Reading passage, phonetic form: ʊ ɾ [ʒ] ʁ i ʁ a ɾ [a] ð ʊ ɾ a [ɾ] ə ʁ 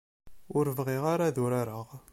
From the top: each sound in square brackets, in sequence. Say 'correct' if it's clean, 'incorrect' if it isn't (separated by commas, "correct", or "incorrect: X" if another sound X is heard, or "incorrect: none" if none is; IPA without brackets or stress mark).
incorrect: v, correct, correct